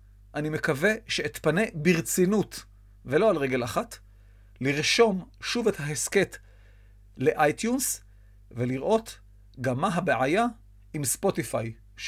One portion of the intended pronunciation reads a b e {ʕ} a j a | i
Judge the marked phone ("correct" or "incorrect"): correct